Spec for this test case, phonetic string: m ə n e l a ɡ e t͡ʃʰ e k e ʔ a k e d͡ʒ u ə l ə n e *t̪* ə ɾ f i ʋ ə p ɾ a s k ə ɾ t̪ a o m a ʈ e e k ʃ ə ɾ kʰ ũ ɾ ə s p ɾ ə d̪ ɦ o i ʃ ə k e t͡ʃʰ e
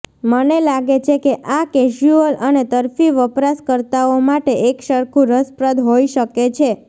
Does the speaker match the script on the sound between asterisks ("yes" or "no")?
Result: yes